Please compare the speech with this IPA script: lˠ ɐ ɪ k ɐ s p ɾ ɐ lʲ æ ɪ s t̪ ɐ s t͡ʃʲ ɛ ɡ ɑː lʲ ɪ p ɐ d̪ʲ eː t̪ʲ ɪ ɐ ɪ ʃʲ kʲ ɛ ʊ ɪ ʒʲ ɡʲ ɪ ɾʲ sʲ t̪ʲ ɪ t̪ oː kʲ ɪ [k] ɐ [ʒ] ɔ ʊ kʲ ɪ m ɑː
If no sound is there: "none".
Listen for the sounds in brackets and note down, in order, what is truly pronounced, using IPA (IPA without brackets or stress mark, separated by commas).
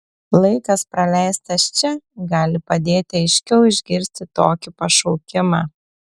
p, ʃ